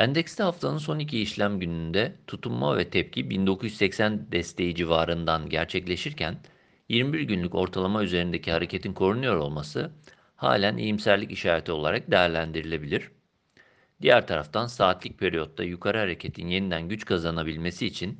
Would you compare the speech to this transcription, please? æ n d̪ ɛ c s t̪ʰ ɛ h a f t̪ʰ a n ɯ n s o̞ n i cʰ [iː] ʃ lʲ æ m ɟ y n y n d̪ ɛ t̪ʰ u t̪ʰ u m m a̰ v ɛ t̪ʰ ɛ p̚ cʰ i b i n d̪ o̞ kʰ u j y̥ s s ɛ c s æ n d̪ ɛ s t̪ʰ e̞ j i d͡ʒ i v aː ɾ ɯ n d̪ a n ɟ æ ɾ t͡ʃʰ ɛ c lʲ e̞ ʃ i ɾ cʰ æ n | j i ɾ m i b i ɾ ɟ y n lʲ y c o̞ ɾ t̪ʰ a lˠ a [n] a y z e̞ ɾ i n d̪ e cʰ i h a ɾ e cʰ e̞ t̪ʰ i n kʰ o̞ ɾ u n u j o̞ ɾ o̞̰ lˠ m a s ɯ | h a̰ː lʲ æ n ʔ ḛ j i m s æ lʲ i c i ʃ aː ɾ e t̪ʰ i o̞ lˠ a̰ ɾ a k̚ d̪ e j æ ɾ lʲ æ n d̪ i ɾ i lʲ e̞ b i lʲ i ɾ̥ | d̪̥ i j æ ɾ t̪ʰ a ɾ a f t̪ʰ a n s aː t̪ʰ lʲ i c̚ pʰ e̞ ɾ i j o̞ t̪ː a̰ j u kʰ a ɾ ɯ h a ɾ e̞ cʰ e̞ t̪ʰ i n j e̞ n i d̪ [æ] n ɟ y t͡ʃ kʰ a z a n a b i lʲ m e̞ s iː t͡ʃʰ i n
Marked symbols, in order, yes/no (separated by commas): yes, no, yes